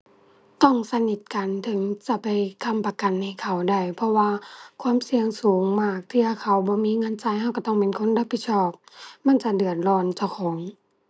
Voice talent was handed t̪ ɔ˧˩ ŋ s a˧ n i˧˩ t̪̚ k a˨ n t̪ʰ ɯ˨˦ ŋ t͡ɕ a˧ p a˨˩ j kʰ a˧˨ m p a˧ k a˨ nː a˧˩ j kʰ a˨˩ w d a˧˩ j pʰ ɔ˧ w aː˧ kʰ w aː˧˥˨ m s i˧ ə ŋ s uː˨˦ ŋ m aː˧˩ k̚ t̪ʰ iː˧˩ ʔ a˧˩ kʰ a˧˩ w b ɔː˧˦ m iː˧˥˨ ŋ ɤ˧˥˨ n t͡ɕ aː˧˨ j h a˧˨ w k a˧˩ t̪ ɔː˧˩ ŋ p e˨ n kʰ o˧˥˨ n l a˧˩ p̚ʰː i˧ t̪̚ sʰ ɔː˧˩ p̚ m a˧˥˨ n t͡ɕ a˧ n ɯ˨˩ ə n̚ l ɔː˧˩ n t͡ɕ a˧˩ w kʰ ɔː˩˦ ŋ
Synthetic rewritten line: t̪ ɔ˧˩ ŋ s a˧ n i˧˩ t̪̚ k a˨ n t̪ʰ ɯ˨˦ ŋ t͡ɕ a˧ p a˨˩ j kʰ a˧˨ m p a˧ k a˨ nː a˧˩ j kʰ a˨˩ w d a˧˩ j pʰ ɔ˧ w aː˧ kʰ w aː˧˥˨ m s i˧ ə ŋ s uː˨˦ ŋ m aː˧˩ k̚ t̪ʰ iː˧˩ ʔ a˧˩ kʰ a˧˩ w b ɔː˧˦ m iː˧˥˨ ŋ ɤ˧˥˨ n t͡ɕ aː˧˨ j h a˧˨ w k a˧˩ t̪ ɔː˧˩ ŋ p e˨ n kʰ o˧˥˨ n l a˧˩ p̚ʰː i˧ t̪̚ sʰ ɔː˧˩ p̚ m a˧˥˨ n t͡ɕ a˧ d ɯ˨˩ ə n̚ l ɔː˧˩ n t͡ɕ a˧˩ w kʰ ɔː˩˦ ŋ

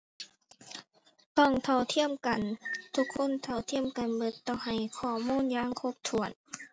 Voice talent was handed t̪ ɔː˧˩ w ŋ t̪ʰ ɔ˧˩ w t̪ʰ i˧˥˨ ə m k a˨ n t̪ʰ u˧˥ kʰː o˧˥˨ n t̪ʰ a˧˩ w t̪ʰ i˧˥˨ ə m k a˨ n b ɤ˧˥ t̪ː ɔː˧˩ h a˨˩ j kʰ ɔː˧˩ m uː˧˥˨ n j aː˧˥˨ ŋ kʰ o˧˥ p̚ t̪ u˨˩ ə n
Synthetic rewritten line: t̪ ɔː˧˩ ŋ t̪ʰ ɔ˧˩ w t̪ʰ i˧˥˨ ə m k a˨ n t̪ʰ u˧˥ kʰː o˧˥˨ n t̪ʰ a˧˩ w t̪ʰ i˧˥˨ ə m k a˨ n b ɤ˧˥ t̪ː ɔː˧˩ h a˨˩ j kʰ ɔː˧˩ m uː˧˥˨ n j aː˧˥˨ ŋ kʰ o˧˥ p̚ t̪ʰ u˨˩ ə n

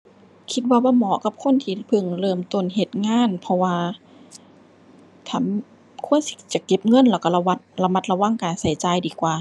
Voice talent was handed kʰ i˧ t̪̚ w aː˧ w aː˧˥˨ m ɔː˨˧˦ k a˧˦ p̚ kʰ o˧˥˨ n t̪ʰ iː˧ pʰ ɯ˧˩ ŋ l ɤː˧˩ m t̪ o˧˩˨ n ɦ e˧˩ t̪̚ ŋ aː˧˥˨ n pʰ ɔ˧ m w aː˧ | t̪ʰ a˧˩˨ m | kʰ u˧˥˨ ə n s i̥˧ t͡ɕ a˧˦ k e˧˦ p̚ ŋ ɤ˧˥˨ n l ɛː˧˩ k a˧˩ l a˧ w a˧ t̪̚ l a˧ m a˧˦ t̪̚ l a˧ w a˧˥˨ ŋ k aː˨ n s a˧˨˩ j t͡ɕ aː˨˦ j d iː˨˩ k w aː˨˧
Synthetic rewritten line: kʰ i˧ t̪̚ w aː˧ w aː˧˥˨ m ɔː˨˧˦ k a˧˦ p̚ kʰ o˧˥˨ n t̪ʰ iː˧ pʰ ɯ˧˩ ŋ l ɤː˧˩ m t̪ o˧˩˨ n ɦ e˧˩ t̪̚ ŋ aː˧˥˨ n pʰ ɔ˧ w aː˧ | t̪ʰ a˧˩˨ m | kʰ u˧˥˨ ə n s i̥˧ t͡ɕ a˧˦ k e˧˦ p̚ ŋ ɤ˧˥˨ n l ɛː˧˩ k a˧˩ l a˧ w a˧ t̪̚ l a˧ m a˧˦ t̪̚ l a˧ w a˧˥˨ ŋ k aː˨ n s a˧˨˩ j t͡ɕ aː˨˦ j d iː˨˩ k w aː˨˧

